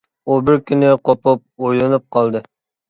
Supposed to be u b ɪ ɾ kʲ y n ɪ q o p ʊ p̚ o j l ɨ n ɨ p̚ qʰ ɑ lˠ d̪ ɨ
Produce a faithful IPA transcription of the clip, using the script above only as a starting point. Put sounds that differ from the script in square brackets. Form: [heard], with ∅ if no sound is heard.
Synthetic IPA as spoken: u b ɪ ɾ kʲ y n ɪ q o p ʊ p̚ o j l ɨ n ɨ p̚ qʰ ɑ lˠ d̪ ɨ